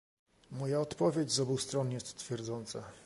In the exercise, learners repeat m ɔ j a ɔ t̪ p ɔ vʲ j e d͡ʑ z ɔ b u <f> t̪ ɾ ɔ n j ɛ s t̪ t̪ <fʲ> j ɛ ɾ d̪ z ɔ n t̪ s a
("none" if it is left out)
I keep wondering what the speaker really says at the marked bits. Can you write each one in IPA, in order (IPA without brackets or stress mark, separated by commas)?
s, fʲ